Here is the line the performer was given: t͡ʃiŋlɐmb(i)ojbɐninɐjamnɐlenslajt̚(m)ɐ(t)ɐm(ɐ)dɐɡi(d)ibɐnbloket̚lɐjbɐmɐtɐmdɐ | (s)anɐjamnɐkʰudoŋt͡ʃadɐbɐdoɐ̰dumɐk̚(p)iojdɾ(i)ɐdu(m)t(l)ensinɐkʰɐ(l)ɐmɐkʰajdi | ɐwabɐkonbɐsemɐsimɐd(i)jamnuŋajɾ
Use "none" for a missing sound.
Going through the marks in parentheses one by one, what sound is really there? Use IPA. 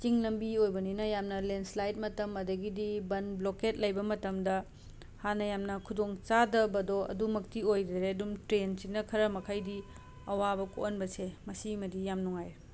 i, m, t, ɐ, d, h, t, e, m, ɾ, ɾ, i

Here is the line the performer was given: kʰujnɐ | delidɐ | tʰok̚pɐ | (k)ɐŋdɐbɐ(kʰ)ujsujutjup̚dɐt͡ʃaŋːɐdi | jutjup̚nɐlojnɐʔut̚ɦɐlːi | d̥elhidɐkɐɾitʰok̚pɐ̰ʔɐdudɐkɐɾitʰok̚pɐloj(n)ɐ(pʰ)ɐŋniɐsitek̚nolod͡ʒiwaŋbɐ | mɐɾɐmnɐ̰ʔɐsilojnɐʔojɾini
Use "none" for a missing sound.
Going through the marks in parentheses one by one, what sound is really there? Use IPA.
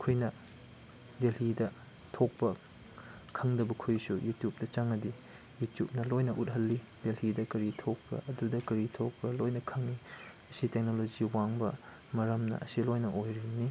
kʰ, kʰ, n, kʰ

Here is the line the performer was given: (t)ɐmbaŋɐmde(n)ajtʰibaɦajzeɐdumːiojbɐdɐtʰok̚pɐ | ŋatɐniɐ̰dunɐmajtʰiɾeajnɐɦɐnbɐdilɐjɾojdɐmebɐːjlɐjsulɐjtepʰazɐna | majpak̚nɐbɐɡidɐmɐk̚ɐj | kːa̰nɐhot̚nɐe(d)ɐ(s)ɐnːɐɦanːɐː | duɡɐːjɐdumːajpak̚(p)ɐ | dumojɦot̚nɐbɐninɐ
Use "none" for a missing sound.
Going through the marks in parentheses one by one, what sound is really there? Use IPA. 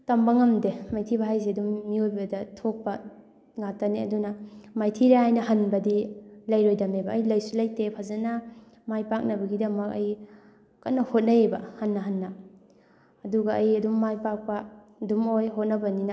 t, m, b, h, p

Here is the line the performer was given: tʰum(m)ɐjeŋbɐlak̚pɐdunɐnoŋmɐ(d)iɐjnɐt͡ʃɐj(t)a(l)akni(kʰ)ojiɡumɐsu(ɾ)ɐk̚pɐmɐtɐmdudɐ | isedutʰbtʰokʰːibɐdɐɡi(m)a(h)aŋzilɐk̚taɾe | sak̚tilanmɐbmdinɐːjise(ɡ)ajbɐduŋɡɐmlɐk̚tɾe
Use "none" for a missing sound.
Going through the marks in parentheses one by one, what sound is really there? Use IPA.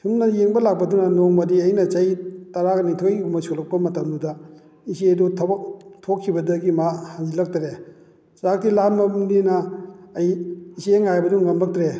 n, d, t, ɾ, tʰ, l, m, h, ŋ

